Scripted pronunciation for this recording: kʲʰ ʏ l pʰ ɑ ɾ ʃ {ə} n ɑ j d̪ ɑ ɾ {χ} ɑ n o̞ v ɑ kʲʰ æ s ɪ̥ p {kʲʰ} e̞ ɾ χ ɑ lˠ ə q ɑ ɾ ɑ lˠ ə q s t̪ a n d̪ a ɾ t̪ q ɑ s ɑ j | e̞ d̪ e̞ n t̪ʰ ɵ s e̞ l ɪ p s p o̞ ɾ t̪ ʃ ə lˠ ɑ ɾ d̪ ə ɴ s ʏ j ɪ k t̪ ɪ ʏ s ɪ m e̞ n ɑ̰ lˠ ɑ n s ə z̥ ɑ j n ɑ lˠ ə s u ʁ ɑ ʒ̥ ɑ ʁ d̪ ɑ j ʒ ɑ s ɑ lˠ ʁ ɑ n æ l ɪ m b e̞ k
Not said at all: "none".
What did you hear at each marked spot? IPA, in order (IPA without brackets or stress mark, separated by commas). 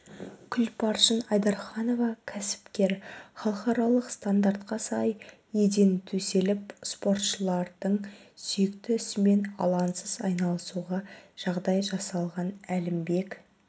ə, χ, kʲ